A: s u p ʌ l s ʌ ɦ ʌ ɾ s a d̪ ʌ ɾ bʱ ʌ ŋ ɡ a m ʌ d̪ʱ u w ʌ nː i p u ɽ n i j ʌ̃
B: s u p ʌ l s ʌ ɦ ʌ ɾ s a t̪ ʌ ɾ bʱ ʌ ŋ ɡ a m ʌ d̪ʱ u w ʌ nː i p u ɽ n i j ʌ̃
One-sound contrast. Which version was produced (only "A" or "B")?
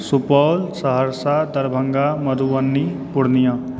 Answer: A